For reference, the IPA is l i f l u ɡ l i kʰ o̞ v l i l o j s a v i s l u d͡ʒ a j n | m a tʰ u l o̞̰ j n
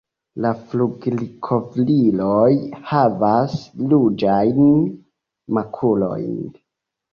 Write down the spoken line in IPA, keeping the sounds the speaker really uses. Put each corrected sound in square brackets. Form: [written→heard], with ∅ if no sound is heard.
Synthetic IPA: l [i→a] f l u ɡ l i kʰ o̞ v l i l o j [s→h] a v [i→a] s l u d͡ʒ a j n | m a [tʰ→kʰ] u l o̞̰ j n